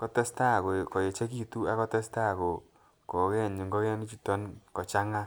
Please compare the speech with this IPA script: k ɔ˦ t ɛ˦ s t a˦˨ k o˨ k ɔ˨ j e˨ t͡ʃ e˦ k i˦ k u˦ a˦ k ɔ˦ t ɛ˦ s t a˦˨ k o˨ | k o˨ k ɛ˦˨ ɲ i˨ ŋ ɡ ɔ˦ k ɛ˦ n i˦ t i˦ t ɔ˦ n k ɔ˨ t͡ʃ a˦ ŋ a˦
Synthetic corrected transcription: k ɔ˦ t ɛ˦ s t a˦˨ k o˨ k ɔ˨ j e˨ t͡ʃ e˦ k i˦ t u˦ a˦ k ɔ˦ t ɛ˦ s t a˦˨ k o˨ | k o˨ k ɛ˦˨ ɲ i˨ ŋ ɡ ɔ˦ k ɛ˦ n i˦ t͡ʃ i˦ t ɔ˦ n k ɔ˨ t͡ʃ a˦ ŋ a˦